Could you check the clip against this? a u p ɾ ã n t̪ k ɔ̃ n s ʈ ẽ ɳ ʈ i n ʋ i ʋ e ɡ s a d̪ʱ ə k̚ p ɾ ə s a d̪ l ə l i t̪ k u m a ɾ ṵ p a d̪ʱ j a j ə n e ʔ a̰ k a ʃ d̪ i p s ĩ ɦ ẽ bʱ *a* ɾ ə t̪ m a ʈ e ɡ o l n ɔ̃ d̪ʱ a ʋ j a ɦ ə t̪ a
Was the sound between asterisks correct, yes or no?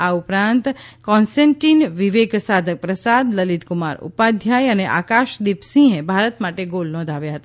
yes